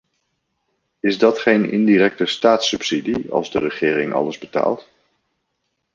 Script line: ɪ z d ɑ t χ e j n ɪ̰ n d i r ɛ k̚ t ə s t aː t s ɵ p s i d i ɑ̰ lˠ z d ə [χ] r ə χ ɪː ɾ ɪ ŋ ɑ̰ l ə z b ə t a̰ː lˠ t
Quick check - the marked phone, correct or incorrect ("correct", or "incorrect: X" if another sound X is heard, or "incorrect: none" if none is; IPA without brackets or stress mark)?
incorrect: none